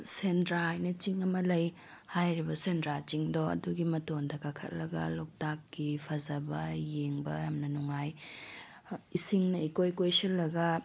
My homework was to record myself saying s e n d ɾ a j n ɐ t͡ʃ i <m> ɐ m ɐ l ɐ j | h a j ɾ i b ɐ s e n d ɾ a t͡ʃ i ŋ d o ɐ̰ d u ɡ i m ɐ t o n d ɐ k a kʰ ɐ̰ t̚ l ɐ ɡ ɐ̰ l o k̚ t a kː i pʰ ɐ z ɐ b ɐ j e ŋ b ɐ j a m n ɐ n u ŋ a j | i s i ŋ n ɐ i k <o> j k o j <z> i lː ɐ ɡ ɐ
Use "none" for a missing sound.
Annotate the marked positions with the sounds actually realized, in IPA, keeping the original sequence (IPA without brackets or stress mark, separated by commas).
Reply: ŋ, o, s